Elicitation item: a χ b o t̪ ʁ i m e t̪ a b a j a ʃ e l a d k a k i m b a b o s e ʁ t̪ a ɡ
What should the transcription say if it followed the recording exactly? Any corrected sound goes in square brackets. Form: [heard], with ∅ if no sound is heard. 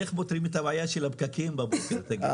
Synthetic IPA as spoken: [e] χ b o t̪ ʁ i m e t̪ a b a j a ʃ e l a [b] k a k i m b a b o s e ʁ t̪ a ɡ